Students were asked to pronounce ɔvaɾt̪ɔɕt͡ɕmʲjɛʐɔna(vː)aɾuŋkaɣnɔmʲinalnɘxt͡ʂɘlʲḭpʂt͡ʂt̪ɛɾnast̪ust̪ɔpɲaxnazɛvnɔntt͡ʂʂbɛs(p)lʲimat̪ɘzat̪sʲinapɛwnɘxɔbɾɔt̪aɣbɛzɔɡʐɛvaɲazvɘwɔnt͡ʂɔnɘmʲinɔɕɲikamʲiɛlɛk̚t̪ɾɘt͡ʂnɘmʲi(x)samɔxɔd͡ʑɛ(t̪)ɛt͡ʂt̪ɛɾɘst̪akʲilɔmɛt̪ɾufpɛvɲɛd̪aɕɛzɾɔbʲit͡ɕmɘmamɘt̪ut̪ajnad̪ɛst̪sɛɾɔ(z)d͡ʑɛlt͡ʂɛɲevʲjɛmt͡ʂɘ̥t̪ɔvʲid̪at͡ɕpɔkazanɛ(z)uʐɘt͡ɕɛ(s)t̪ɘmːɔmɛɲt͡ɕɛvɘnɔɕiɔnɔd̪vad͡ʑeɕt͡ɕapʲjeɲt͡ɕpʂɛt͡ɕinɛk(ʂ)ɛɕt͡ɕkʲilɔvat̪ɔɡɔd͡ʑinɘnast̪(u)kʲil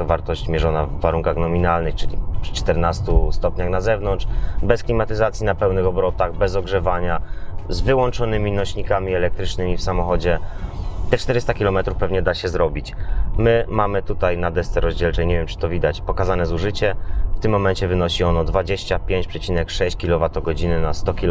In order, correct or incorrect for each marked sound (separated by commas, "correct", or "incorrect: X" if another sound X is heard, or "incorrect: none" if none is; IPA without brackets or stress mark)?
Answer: correct, incorrect: k, incorrect: f, correct, incorrect: ʑ, correct, incorrect: f, correct, incorrect: ɔ